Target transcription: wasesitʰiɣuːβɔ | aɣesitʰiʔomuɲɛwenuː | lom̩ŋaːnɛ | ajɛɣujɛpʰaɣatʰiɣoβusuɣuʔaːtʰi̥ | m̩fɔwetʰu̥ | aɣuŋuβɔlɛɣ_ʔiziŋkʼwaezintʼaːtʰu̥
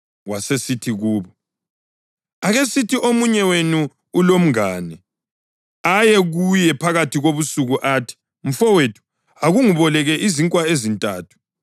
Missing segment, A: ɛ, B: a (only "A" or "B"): A